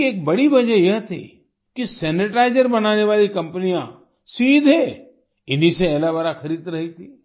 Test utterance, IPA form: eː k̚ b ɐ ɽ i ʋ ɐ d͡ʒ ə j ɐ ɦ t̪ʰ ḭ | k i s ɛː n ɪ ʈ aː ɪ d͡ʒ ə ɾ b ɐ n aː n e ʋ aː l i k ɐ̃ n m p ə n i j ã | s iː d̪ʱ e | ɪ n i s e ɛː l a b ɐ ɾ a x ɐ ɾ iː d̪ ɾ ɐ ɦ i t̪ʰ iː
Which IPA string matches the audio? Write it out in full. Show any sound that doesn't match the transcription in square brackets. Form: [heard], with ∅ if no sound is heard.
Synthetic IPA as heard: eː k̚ b ɐ ɽ i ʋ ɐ d͡ʒ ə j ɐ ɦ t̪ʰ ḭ | k i s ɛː n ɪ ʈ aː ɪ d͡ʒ ə ɾ b ɐ n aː n e ʋ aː l i k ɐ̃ [∅] m p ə n i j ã | s iː d̪ʱ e | ɪ n i s e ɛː l a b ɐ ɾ a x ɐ ɾ iː d̪ ɾ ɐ ɦ i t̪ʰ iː